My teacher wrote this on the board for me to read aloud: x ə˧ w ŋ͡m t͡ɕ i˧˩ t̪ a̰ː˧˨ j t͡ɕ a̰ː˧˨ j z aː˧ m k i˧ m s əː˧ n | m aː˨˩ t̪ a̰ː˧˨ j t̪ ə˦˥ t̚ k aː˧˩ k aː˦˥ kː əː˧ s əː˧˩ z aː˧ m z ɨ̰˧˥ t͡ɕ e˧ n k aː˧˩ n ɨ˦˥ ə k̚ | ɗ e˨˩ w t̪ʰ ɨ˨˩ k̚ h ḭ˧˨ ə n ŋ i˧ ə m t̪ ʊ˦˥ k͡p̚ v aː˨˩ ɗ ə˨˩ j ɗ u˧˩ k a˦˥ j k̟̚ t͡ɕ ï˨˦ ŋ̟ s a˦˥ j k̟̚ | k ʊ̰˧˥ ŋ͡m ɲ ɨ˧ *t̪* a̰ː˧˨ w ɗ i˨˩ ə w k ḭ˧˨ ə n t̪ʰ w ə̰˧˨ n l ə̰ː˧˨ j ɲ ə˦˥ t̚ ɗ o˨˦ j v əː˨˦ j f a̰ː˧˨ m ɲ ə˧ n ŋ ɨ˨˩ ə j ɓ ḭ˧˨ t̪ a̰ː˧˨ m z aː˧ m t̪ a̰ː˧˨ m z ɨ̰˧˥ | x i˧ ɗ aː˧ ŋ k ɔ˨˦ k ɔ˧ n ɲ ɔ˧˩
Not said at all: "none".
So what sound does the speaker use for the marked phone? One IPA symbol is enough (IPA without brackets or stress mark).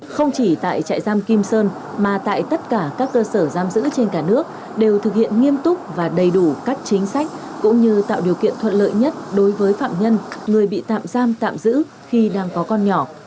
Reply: t̪